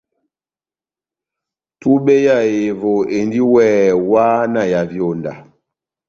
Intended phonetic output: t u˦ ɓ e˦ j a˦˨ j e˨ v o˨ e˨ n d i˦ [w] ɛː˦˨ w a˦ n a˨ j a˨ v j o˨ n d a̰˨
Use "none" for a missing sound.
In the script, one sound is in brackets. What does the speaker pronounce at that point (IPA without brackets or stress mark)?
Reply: w